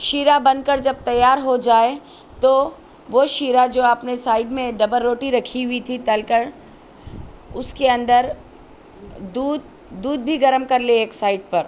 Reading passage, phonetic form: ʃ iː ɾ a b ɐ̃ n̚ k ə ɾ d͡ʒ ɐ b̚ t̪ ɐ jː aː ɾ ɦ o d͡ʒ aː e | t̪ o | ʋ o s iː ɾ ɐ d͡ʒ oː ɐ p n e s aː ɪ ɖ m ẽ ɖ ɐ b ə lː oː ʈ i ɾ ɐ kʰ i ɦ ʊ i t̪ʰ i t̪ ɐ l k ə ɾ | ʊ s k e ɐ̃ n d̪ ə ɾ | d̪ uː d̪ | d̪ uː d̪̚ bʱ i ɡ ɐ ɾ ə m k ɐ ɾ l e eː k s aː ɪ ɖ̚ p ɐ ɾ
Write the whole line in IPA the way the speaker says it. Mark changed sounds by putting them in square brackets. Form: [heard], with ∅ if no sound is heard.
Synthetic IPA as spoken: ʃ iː ɾ a b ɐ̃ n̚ k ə ɾ d͡ʒ ɐ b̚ t̪ ɐ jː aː ɾ ɦ o d͡ʒ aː e | t̪ o | ʋ o [ʃ] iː ɾ [a] d͡ʒ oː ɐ p n e s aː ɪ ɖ m ẽ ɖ ɐ b ə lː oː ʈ i ɾ ɐ kʰ i ɦ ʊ i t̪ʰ i t̪ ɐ l k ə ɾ | ʊ s k e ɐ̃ n d̪ ə ɾ | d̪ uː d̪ | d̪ uː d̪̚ bʱ i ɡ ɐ ɾ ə m k ɐ ɾ l e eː k s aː ɪ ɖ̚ p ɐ ɾ

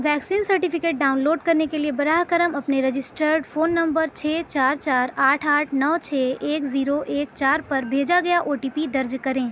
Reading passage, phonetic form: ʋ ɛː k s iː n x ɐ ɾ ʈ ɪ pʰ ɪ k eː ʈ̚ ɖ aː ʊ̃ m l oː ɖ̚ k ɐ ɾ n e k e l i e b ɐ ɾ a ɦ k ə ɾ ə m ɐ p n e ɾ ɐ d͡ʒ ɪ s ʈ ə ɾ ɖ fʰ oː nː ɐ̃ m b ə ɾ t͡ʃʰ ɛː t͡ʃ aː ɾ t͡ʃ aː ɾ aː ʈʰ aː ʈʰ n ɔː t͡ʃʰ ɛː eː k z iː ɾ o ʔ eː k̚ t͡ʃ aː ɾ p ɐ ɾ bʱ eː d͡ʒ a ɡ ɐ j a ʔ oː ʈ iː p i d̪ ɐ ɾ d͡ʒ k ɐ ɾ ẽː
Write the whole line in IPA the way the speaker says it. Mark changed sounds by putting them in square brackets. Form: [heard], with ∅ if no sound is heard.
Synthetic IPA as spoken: ʋ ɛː k s iː n [s] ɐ ɾ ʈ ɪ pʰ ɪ k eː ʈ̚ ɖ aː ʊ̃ [n] l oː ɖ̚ k ɐ ɾ n e k e l i e b ɐ ɾ a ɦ k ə ɾ ə m ɐ p n e ɾ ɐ d͡ʒ ɪ s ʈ ə ɾ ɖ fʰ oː nː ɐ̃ m b ə ɾ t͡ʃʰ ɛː t͡ʃ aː ɾ t͡ʃ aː ɾ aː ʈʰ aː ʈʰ n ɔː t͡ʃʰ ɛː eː k z iː ɾ o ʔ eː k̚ t͡ʃ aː ɾ p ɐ ɾ bʱ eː d͡ʒ a ɡ ɐ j a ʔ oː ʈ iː p i d̪ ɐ ɾ d͡ʒ k ɐ ɾ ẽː

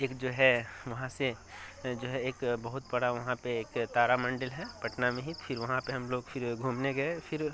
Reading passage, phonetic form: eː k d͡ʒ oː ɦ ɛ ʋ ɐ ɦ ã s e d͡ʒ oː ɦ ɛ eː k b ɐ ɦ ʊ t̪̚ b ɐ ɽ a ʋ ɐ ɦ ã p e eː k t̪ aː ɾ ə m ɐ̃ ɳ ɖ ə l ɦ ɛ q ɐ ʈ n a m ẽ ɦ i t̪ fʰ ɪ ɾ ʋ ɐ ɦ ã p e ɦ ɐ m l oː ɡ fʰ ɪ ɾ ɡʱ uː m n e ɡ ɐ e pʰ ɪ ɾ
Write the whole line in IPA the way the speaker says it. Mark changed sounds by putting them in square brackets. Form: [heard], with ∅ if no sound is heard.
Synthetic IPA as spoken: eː k d͡ʒ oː ɦ ɛ ʋ ɐ ɦ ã s e d͡ʒ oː ɦ ɛ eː k b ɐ ɦ ʊ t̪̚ b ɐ ɽ a ʋ ɐ ɦ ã p e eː k t̪ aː ɾ [a] m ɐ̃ ɳ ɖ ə l ɦ ɛ [p] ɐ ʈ n a m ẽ ɦ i t̪ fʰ ɪ ɾ ʋ ɐ ɦ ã p e ɦ ɐ m l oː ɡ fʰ ɪ ɾ ɡʱ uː m n e ɡ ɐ e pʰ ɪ ɾ

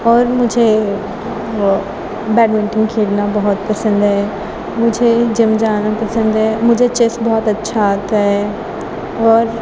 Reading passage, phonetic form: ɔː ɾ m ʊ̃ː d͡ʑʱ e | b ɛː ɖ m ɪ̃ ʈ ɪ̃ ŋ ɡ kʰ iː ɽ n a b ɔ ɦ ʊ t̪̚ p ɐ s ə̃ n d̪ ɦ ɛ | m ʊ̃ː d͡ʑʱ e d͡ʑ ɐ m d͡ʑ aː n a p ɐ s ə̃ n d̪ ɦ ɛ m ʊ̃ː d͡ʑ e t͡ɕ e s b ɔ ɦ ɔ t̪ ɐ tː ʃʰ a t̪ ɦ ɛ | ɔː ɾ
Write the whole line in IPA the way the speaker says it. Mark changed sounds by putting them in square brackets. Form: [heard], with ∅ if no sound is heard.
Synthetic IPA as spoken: ɔː ɾ m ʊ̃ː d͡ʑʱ e | b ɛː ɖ m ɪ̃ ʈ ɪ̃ ŋ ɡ kʰ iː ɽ n a b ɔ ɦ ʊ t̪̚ p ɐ s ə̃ n d̪ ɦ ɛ | m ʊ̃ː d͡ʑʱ e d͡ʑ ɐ m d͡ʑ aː n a p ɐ s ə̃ n d̪ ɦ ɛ m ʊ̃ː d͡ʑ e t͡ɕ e s b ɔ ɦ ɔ t̪ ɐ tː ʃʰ a t̪ ɦ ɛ | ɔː ɾ

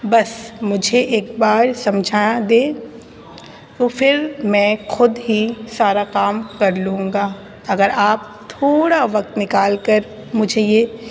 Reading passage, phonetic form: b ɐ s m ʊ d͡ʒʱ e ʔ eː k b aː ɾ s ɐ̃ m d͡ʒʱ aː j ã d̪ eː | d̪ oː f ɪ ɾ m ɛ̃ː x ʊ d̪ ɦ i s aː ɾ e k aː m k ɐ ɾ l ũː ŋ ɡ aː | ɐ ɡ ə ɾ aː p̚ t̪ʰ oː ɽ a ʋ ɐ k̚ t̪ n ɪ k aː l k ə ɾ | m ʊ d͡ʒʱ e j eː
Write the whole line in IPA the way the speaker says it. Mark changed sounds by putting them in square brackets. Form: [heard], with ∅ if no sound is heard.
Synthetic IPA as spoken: b ɐ s m ʊ d͡ʒʱ e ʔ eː k b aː ɾ s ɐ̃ m d͡ʒʱ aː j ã d̪ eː | [t̪] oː f ɪ ɾ m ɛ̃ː x ʊ d̪ ɦ i s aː ɾ [a] k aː m k ɐ ɾ l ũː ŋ ɡ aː | ɐ ɡ ə ɾ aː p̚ t̪ʰ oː ɽ a ʋ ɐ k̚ t̪ n ɪ k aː l k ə ɾ | m ʊ d͡ʒʱ e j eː

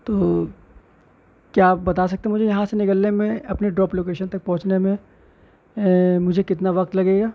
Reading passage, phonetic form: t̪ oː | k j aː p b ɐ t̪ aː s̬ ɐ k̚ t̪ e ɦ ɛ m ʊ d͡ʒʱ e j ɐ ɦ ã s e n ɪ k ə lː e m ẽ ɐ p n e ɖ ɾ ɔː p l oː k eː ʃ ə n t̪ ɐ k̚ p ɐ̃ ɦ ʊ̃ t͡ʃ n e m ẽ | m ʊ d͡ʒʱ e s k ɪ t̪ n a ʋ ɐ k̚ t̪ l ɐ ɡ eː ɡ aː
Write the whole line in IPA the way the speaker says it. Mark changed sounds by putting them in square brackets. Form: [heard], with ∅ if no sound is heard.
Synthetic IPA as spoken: t̪ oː | k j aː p b ɐ t̪ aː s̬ ɐ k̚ t̪ e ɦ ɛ m ʊ d͡ʒʱ e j ɐ ɦ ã s e n ɪ k ə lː e m ẽ ɐ p n e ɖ ɾ ɔː p l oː k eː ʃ ə n t̪ ɐ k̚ p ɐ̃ ɦ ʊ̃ t͡ʃ n e m ẽ | m ʊ d͡ʒʱ e [∅] k ɪ t̪ n a ʋ ɐ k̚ t̪ l ɐ ɡ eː ɡ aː

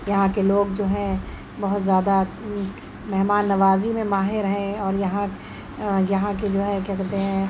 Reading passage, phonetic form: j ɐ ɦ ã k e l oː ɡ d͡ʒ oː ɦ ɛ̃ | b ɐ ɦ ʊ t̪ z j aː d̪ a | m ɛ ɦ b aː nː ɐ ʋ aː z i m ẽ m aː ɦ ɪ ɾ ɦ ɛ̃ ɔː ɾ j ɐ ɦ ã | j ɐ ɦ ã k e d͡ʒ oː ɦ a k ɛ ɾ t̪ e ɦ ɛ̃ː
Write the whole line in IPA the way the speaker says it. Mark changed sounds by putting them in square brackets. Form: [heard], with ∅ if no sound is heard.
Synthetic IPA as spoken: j ɐ ɦ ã k e l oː ɡ d͡ʒ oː ɦ ɛ̃ | b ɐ ɦ ʊ t̪ z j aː d̪ a | m ɛ ɦ [m] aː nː ɐ ʋ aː z i m ẽ m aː ɦ ɪ ɾ ɦ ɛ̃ ɔː ɾ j ɐ ɦ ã | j ɐ ɦ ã k e d͡ʒ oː ɦ [ɛ] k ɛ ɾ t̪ e ɦ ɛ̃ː

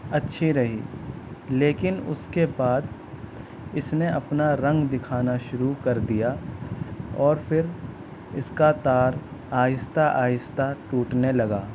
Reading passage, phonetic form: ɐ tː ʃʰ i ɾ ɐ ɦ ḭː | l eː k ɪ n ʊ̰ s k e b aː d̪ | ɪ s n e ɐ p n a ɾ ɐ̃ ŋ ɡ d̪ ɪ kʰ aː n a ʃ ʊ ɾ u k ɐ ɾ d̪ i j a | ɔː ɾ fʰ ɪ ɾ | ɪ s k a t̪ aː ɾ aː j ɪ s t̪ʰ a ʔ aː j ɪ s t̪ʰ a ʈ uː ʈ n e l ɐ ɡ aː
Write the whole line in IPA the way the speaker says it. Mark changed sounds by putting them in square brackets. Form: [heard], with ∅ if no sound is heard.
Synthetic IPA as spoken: ɐ tː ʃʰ i ɾ ɐ ɦ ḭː | l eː k ɪ n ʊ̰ s k e b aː d̪ | ɪ s n e ɐ p n a ɾ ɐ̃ ŋ ɡ d̪ ɪ kʰ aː n a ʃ ʊ ɾ u k ɐ ɾ d̪ i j a | ɔː ɾ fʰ ɪ ɾ | ɪ s k a t̪ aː ɾ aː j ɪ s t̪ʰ a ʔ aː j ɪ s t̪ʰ a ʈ uː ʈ n e l ɐ ɡ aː

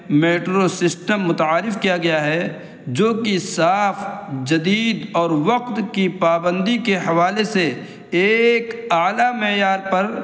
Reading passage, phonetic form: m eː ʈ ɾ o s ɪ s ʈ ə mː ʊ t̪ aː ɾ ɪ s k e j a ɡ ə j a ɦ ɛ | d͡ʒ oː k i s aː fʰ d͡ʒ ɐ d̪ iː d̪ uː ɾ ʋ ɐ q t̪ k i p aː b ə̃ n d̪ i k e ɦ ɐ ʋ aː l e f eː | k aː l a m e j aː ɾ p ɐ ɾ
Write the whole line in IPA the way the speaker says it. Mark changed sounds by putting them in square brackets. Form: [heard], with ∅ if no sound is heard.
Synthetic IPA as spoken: m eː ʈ ɾ o s ɪ s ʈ ə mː ʊ t̪ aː ɾ ɪ [f] k [i] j a ɡ [ɐ] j a ɦ ɛ | d͡ʒ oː k i s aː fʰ d͡ʒ ɐ d̪ iː d̪ [ɔː] ɾ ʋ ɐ q t̪ k i p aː b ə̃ n d̪ i k e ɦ ɐ ʋ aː l e [s] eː | k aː l a m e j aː ɾ p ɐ ɾ

